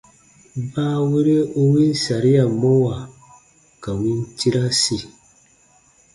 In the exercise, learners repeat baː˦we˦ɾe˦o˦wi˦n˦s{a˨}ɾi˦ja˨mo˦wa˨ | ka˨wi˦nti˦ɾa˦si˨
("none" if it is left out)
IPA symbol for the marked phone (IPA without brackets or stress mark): a˨